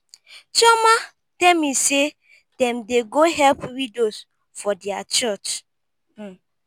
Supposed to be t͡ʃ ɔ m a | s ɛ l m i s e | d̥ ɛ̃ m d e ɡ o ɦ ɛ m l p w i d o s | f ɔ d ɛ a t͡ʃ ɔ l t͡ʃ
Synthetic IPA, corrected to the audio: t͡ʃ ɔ m a | t ɛ l m i s e | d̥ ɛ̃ m d e ɡ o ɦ ɛ l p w i d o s | f ɔ d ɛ a t͡ʃ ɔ t͡ʃ